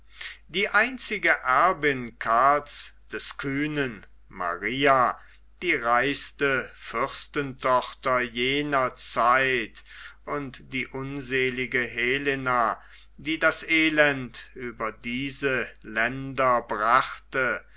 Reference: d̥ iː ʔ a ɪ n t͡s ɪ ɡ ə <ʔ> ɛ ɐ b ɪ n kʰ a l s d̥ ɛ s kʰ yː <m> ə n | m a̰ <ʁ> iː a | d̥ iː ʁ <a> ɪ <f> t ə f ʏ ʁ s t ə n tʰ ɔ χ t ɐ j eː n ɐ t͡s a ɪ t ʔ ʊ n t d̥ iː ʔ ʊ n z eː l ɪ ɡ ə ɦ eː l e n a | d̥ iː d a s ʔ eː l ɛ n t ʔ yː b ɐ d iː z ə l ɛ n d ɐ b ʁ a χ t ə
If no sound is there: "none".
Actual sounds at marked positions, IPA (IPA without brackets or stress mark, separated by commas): ʔ, n, ʁ, a, s